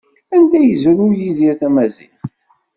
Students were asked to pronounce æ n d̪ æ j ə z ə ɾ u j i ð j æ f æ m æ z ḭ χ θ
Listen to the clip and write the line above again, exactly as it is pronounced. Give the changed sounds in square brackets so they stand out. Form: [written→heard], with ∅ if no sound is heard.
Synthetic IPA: æ n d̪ æ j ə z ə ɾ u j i ð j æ [f→θ] æ m æ z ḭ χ θ